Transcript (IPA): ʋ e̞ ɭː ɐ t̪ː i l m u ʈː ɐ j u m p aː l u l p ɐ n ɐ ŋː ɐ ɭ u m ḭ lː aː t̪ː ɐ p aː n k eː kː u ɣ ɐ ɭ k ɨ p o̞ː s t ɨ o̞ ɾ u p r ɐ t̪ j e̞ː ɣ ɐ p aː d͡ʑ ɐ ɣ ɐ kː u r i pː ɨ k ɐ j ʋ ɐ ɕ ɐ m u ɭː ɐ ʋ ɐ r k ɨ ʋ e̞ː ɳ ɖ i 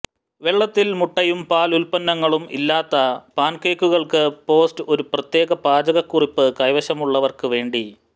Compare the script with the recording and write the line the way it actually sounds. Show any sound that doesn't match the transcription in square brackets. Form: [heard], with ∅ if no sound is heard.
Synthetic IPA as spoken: ʋ e̞ ɭː ɐ t̪ː i l m u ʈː ɐ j u m p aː l u l p ɐ [nː] ɐ ŋː ɐ ɭ u m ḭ lː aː t̪ː ɐ p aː n k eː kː u ɣ ɐ ɭ k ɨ p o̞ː s t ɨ o̞ ɾ u p r ɐ t̪ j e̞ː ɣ ɐ p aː d͡ʑ ɐ ɣ ɐ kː u r i pː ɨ k ɐ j ʋ ɐ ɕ ɐ m u ɭː ɐ ʋ ɐ r k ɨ ʋ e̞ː ɳ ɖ i